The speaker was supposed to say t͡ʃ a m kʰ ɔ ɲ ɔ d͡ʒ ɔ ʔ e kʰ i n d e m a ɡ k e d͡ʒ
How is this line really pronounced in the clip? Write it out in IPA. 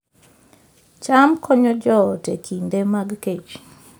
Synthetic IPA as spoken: t͡ʃ a m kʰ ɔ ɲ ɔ d͡ʒ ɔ t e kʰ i n d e m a ɡ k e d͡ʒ